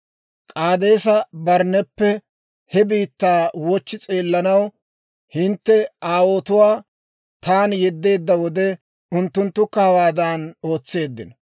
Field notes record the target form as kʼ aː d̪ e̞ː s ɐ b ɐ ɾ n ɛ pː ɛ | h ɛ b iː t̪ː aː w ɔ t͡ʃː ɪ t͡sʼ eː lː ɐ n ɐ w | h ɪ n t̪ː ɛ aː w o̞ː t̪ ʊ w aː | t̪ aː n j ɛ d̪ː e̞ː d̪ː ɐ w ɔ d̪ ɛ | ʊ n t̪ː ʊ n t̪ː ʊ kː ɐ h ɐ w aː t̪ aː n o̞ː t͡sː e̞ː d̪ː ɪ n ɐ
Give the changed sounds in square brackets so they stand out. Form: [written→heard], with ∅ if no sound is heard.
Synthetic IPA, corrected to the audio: kʼ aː d̪ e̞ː s ɐ b ɐ ɾ n ɛ pː ɛ | h ɛ b iː t̪ː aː w ɔ t͡ʃː ɪ t͡sʼ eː lː ɐ n ɐ w | h ɪ n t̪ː ɛ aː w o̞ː t̪ ʊ w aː | t̪ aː n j ɛ d̪ː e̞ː d̪ː ɐ w ɔ d̪ ɛ | ʊ n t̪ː ʊ n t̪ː ʊ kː ɐ h ɐ w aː [t̪→d̪] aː n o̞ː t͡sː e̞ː d̪ː ɪ n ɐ